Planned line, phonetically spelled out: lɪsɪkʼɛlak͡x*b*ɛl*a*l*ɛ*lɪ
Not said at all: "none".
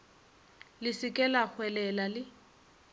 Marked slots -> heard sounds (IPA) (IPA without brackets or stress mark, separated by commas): w, ɛ, a